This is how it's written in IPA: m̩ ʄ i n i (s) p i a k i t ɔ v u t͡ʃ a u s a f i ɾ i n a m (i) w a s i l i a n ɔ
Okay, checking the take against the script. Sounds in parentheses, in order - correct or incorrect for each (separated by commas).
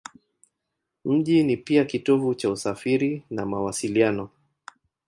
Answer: incorrect, incorrect